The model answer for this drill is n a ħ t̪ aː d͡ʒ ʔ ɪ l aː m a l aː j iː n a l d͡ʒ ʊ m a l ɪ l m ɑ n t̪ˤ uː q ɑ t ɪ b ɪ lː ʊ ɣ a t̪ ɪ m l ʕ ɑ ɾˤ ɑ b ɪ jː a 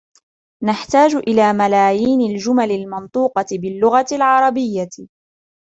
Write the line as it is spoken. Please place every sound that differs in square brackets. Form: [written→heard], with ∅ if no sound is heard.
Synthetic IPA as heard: n a ħ t̪ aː d͡ʒ ʔ ɪ l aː m a l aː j iː n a l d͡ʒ ʊ m a l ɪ l m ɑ n t̪ˤ uː q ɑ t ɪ b ɪ lː ʊ ɣ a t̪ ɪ [m→∅] l ʕ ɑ ɾˤ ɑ b ɪ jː a